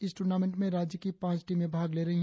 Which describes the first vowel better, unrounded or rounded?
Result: unrounded